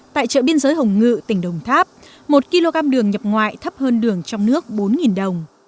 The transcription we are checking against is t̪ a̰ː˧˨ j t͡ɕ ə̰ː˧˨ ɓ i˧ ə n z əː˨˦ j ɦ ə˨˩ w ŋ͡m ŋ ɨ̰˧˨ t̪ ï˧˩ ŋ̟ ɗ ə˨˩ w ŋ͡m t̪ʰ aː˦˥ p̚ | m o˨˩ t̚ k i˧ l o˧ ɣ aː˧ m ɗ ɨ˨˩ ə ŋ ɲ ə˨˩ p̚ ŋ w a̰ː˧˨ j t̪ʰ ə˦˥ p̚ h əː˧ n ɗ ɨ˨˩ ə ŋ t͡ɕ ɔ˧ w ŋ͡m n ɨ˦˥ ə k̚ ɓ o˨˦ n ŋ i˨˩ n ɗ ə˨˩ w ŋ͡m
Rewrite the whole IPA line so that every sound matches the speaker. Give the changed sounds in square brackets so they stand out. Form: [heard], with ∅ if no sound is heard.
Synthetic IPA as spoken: t̪ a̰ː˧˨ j t͡ɕ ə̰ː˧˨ ɓ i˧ ə n z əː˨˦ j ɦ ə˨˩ w ŋ͡m ŋ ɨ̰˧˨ t̪ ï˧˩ ŋ̟ ɗ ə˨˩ w ŋ͡m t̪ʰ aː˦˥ p̚ | m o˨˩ t̚ k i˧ l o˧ ɣ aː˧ m ɗ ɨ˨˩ ə ŋ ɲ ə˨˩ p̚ ŋ w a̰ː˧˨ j t̪ʰ ə˦˥ p̚ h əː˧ n ɗ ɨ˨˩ ə ŋ t͡ɕ ɔ˧ w ŋ͡m n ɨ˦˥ ə k̚ ɓ o˨˦ n ŋ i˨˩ n ɗ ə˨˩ w ŋ͡m